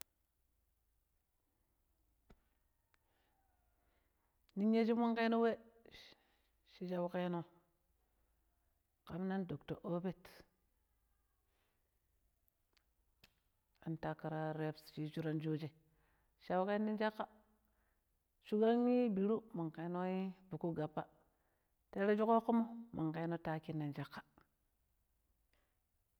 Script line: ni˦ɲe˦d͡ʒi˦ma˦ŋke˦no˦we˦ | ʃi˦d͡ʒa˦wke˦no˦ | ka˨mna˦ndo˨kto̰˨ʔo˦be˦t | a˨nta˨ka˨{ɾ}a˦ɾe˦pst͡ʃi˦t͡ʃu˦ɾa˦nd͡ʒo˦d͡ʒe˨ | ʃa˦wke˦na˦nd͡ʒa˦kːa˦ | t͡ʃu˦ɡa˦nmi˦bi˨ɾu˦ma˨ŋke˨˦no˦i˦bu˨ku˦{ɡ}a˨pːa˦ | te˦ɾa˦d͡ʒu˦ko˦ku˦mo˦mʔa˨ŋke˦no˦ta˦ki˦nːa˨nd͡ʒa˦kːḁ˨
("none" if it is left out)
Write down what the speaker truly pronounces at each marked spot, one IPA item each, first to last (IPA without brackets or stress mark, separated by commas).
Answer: ɾ, ɡ